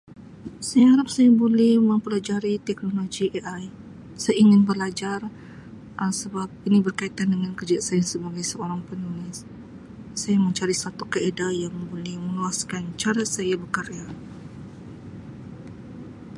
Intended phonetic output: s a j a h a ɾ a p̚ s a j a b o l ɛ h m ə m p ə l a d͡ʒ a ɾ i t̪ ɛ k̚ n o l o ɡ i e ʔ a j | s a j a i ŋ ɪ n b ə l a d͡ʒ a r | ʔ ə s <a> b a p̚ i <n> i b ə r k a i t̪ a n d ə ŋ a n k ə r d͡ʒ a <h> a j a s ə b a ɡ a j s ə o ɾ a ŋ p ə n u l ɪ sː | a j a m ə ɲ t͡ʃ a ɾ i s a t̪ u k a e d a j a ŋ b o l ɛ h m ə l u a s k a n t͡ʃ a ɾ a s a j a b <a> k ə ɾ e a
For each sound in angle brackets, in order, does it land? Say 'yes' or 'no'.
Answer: no, yes, no, no

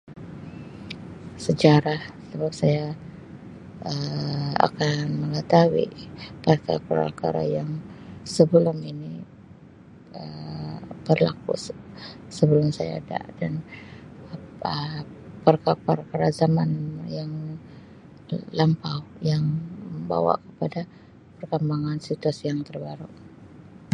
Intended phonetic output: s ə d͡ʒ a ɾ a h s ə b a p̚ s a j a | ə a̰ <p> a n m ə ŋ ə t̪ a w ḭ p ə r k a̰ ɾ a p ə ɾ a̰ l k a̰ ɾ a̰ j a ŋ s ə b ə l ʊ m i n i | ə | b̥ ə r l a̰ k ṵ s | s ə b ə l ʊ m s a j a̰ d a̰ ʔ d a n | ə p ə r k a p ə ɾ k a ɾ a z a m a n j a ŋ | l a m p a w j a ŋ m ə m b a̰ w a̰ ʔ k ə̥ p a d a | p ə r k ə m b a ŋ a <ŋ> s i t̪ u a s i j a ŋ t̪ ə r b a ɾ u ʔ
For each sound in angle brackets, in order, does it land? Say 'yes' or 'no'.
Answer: no, no

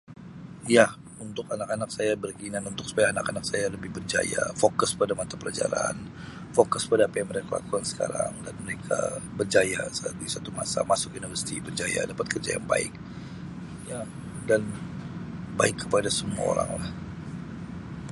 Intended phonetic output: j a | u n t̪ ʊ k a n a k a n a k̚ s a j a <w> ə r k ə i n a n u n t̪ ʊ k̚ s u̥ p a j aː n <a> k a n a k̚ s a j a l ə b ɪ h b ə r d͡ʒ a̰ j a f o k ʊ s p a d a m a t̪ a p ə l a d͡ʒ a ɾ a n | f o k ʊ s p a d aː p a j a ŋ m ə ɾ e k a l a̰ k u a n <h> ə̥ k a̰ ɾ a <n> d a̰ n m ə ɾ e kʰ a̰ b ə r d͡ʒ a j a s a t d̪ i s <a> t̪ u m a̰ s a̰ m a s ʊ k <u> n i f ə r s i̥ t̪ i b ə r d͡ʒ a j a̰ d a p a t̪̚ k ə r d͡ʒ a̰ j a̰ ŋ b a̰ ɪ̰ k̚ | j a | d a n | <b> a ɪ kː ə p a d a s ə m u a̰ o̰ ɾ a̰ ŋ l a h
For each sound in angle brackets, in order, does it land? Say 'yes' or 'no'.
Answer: no, yes, no, no, yes, yes, yes

